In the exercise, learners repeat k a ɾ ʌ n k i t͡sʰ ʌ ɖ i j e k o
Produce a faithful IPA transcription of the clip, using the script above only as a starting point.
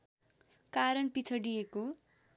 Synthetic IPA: k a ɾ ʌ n p i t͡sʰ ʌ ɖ i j e k o